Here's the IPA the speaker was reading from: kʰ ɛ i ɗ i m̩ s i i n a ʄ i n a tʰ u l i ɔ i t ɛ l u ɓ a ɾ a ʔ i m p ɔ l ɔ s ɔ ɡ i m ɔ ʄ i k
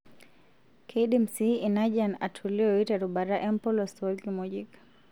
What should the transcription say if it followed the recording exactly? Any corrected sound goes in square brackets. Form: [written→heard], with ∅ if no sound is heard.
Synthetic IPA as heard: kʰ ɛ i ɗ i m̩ s i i n a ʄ [i→a] n a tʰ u l i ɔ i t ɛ [l→ɾ] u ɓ a ɾ a ʔ [i→ɛ] m p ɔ l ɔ s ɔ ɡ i m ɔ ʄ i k